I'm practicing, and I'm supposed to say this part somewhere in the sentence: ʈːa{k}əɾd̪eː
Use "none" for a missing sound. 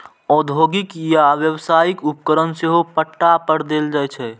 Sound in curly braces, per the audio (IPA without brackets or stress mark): p